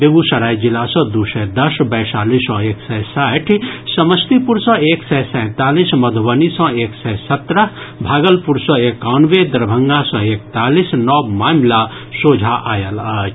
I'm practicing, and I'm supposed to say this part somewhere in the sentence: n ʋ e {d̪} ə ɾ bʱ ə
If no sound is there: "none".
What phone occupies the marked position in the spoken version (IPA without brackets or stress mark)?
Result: d̪